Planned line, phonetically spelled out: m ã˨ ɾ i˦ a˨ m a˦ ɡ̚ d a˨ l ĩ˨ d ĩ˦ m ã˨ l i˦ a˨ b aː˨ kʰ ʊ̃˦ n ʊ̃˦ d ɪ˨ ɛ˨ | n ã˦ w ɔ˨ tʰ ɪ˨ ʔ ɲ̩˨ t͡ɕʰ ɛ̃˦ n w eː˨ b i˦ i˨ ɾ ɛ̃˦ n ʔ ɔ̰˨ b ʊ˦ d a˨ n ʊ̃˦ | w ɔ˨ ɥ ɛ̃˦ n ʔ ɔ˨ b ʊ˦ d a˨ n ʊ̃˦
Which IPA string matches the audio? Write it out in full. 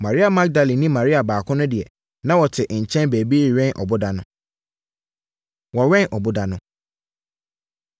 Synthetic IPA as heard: m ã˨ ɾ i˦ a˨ m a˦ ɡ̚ d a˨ l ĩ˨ n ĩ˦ m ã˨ ɾ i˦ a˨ b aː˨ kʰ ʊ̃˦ n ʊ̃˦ d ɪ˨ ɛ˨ | n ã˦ w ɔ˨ tʰ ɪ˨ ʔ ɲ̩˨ t͡ɕʰ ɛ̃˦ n b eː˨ b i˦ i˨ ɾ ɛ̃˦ n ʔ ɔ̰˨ b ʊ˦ d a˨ n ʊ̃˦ | w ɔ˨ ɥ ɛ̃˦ n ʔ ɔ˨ b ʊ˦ d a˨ n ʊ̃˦